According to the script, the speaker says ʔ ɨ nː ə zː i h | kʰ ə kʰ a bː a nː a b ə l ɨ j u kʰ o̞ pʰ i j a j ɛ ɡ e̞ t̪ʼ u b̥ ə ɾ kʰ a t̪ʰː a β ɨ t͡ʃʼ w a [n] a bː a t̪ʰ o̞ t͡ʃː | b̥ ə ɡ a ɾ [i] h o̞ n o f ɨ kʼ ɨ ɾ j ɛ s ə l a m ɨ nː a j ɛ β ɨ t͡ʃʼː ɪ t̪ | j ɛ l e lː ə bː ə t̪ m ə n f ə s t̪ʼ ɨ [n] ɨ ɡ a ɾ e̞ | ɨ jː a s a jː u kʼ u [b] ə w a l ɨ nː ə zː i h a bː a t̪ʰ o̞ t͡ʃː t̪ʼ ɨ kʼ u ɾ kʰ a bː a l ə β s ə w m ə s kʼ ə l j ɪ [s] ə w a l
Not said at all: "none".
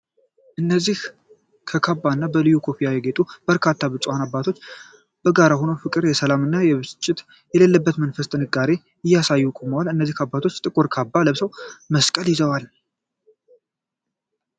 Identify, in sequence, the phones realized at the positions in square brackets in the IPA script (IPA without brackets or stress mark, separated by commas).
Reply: n, a, n, m, z